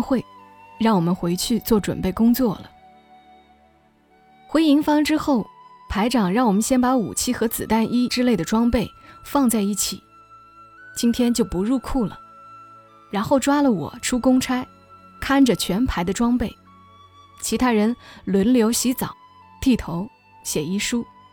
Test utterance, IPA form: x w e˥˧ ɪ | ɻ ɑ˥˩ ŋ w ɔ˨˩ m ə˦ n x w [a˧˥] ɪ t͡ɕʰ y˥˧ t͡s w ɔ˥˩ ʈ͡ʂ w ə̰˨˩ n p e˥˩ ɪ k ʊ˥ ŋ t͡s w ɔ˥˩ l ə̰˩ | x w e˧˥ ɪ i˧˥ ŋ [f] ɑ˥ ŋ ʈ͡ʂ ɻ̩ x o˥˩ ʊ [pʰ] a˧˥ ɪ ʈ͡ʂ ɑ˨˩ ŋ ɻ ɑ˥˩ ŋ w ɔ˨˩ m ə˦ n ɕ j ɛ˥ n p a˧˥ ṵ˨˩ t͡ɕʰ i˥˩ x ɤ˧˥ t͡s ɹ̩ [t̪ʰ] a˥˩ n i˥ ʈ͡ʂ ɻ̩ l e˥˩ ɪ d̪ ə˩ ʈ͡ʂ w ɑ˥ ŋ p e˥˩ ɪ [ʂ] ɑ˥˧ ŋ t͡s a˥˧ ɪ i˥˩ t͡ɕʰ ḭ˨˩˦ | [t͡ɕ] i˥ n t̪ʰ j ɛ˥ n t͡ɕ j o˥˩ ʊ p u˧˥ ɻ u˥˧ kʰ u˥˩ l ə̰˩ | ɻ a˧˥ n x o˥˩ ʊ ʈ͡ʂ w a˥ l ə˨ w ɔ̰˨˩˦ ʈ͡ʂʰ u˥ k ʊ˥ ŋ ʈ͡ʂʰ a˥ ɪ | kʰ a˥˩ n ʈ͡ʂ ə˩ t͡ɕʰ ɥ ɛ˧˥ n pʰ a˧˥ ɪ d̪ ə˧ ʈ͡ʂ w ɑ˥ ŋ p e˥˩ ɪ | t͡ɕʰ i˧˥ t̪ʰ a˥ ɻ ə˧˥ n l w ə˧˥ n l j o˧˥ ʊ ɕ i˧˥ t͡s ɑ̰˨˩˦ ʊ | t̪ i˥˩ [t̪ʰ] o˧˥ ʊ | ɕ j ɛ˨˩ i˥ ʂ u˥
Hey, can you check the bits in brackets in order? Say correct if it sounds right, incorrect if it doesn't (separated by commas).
incorrect, correct, correct, incorrect, incorrect, correct, correct